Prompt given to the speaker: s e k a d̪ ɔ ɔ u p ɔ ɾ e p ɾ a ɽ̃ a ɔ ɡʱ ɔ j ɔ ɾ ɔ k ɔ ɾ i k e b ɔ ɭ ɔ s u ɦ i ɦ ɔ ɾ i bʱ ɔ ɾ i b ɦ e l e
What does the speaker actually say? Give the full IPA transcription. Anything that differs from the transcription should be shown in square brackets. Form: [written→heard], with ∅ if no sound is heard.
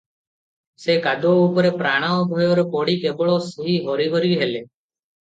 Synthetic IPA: s e k a d̪ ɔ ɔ u p ɔ ɾ e p ɾ a ɽ̃ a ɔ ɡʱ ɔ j ɔ ɾ ɔ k ɔ [ɾ→ɽ] i k e b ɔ ɭ ɔ s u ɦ i ɦ ɔ ɾ i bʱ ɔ ɾ i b ɦ e l e